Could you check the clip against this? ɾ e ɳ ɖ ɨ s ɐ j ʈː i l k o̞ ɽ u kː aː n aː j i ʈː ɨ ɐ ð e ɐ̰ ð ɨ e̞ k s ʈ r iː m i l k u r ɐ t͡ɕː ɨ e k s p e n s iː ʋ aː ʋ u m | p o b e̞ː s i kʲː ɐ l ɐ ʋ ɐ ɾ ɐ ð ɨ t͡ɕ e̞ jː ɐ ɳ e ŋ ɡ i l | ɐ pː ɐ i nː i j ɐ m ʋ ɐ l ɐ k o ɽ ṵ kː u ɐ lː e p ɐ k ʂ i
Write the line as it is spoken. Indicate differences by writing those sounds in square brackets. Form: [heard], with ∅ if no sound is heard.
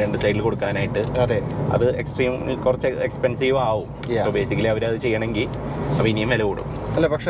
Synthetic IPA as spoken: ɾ e ɳ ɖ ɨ s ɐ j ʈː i l k o̞ ɽ u kː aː n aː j i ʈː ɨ ɐ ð e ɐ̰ ð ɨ e̞ k s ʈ r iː m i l k u r ɐ t͡ɕː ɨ e k s p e n s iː ʋ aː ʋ u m | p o b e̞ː s i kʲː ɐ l ɐ ʋ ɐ ɾ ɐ ð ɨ t͡ɕ e̞ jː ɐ ɳ e ŋ ɡ i l | ɐ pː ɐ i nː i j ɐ m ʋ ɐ l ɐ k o ɽ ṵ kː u ɐ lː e p ɐ k ʂ [e]